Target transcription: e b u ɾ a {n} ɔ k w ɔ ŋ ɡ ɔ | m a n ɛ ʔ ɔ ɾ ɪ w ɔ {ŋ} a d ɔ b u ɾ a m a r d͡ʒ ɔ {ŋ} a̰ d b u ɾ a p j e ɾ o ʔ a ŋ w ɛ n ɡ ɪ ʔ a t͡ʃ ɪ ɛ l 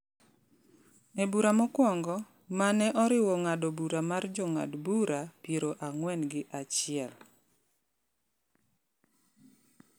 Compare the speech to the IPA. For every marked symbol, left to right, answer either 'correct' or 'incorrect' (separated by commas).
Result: incorrect, correct, correct